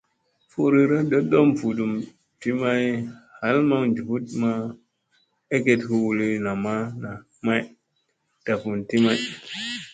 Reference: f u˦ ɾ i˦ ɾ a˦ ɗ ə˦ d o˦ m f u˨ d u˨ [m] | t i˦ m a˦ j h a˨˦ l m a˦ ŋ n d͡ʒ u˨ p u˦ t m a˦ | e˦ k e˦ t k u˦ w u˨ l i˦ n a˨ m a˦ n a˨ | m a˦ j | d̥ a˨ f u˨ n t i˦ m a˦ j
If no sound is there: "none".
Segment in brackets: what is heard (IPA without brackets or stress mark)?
m